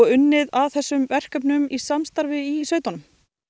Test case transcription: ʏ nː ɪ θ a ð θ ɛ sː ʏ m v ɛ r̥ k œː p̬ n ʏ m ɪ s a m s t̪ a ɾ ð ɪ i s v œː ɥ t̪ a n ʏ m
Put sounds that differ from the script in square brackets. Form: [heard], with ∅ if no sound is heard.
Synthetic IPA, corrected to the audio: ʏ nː ɪ [ð] a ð θ ɛ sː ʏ m v ɛ r̥ k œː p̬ n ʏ m [i] s a m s t̪ a ɾ [v] ɪ i s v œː ɥ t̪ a n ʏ m